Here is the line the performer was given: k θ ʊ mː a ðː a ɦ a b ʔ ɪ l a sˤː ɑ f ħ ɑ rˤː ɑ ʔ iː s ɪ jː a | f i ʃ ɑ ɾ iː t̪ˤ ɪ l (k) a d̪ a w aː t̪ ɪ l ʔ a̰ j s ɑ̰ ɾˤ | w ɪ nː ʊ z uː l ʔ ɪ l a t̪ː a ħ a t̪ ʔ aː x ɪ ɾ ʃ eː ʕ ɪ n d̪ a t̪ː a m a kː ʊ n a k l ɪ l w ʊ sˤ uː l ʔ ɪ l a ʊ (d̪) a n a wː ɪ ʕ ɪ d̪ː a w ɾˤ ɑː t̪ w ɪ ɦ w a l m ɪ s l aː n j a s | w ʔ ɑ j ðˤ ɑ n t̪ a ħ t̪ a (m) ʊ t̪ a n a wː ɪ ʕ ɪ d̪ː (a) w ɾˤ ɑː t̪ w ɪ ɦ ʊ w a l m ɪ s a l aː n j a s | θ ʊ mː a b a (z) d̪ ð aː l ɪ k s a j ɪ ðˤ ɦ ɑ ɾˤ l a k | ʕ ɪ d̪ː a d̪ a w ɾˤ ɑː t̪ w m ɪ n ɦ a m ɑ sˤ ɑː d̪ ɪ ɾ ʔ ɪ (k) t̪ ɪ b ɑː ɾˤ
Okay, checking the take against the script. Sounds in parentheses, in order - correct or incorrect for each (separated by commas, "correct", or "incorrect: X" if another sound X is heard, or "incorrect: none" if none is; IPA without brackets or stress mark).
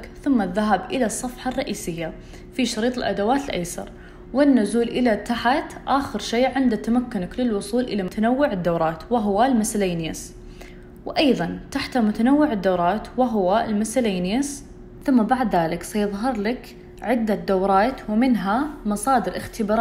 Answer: incorrect: ʔ, incorrect: t̪, correct, correct, incorrect: ʕ, incorrect: x